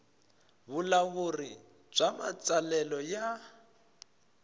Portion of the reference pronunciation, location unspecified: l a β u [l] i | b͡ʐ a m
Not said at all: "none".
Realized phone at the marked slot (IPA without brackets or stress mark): r